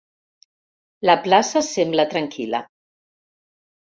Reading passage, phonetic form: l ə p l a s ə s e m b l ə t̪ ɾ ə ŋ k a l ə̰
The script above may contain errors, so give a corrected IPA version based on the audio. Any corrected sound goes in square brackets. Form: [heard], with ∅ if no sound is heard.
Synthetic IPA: l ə p l a s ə s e m b l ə t̪ ɾ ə ŋ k [i] l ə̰